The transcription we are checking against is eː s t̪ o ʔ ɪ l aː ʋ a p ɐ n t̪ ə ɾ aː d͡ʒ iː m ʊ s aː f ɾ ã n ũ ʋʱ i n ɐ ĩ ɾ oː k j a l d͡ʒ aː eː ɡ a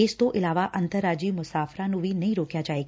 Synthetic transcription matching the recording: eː s t̪ o ʔ ɪ l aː ʋ a ʔ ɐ n t̪ ə ɾ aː d͡ʒ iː m ʊ s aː f ɾ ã n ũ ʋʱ i n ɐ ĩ ɾ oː k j a d͡ʒ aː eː ɡ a

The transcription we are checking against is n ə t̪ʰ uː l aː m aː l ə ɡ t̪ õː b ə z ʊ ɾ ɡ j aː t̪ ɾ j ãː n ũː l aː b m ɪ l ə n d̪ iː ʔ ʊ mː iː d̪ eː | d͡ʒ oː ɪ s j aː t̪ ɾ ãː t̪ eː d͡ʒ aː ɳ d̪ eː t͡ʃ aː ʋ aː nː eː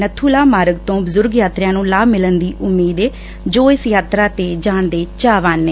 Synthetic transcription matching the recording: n ə t̪ʰ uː l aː m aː ɾ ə ɡ t̪ õː b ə z ʊ ɾ ɡ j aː t̪ ɾ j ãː n ũː l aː b m ɪ l ə n d̪ iː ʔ ʊ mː iː d̪ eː | d͡ʒ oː ɪ s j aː t̪ ɾ aː t̪ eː d͡ʒ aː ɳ d̪ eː t͡ʃ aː ʋ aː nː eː

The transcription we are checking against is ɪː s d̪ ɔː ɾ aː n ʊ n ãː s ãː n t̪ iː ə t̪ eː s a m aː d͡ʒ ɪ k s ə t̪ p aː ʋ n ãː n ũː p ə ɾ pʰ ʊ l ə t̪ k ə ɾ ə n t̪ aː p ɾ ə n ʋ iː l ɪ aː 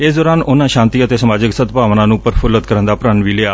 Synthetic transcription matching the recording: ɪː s d̪ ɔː ɾ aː n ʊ n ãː ʃ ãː n t̪ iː ə t̪ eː s ə m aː d͡ʒ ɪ k s ə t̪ p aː ʋ n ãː n ũː p ə ɾ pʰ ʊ l ə t̪ k ə ɾ ə n d̪ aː p ɾ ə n ʋ iː l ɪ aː

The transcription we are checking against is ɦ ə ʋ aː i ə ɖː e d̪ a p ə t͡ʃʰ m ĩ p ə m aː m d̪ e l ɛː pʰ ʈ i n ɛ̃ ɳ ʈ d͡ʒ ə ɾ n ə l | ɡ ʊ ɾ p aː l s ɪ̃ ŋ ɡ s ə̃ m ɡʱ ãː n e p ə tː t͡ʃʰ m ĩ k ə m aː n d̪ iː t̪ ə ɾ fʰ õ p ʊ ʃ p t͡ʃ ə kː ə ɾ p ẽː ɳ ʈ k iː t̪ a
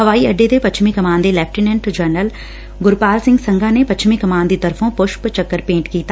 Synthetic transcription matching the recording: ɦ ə ʋ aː i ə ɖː e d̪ e p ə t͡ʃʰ m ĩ k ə m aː n d̪ e l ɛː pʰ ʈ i n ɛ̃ ɳ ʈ d͡ʒ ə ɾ n ə l | ɡ ʊ ɾ p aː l s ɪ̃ ŋ ɡ s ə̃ ŋ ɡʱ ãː n e p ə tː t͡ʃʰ m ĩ k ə m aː n d̪ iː t̪ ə ɾ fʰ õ p ʊ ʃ p t͡ʃ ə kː ə ɾ p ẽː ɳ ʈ k iː t̪ a

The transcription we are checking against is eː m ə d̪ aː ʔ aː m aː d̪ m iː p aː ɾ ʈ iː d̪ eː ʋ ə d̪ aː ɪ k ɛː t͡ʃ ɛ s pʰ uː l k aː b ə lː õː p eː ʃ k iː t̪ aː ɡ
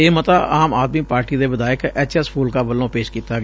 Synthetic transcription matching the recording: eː m ə t̪ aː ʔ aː m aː d̪ m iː p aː ɾ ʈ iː d̪ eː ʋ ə d̪ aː ɪ k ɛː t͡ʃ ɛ s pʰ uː l k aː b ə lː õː p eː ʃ k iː t̪ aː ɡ

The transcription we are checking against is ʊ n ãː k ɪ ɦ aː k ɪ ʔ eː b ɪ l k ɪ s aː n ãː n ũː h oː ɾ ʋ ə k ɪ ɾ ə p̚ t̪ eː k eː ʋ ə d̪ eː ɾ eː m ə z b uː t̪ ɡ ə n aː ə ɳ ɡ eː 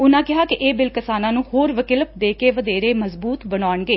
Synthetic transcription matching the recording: ʊ n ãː k ɪ ɦ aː k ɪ ʔ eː b ɪ l k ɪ s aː n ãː n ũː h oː ɾ ʋ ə k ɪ l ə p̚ d̪ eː k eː ʋ ə d̪ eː ɾ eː m ə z b uː t̪ b ə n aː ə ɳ ɡ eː

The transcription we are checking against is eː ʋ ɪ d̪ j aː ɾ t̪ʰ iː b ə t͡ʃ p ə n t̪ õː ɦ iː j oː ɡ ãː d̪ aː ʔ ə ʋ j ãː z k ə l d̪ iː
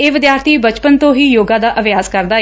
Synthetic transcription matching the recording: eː ʋ ɪ d̪ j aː ɾ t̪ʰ iː b ə t͡ʃ p ə n t̪ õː ɦ iː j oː ɡ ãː d̪ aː ʔ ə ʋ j aː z k ə ɾ d̪ aː

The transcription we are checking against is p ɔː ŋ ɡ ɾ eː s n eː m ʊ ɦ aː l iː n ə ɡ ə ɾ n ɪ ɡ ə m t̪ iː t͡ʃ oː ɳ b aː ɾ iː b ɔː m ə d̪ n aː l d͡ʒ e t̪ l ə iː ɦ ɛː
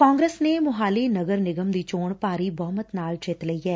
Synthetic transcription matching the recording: k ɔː ŋ ɡ ɾ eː s n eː m ʊ ɦ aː l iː n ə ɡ ə ɾ n ɪ ɡ ə m d̪ iː t͡ʃ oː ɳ p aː ɾ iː b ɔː m ə t̪ n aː l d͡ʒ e t̪ l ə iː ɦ ɛː

